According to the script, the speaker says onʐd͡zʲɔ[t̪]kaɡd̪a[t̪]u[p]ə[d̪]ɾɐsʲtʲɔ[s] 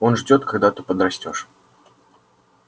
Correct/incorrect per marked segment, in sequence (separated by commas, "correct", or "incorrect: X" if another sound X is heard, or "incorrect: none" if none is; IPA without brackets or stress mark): correct, correct, correct, correct, incorrect: ʂ